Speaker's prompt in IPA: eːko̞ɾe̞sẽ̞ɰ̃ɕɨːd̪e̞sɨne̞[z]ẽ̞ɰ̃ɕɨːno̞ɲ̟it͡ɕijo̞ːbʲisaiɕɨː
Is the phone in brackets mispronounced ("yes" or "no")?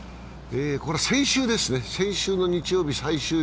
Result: yes